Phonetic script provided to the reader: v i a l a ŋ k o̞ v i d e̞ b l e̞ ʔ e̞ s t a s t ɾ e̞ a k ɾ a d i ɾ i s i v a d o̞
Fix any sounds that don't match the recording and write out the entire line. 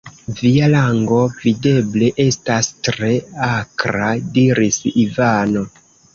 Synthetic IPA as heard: v i a l a ŋ ɡ o̞ v i d e̞ b l e̞ ʔ e̞ s t a s t ɾ e̞ a k ɾ a d i ɾ i s i v a n o̞